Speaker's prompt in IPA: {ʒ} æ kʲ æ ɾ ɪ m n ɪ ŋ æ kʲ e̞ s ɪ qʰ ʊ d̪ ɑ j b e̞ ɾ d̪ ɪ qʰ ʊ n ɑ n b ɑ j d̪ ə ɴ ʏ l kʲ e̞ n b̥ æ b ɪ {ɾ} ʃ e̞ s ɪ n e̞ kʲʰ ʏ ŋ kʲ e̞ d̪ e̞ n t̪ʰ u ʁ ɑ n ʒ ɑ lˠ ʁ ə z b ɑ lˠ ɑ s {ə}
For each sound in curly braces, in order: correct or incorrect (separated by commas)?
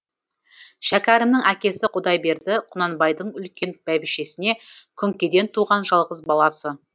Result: incorrect, incorrect, correct